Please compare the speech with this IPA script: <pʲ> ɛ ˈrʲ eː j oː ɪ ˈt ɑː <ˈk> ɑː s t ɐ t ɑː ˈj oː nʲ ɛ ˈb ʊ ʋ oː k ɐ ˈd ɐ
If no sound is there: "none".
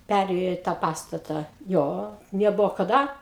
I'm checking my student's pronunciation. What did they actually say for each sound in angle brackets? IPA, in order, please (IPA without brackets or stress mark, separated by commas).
pʲ, p